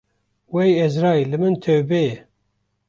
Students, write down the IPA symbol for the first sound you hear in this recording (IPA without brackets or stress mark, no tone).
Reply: w